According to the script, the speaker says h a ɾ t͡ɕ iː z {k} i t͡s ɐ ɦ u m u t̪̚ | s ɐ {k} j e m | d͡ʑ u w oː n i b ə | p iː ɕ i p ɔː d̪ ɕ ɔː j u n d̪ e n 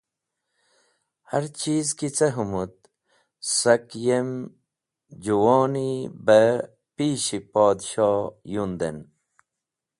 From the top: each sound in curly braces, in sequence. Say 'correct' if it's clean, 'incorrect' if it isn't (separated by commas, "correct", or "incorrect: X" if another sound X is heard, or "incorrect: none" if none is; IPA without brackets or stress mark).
correct, correct